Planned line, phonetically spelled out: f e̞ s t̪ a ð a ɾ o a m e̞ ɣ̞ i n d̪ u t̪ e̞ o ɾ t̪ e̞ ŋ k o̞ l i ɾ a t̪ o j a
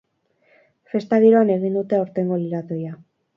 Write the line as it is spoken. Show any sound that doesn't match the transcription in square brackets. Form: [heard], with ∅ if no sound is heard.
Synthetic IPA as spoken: f e̞ s t̪ a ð [i] ɾ o a [n] e̞ ɣ̞ i n d̪ u t̪ e̞ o ɾ t̪ e̞ ŋ [ɡ] o̞ l i ɾ a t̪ o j a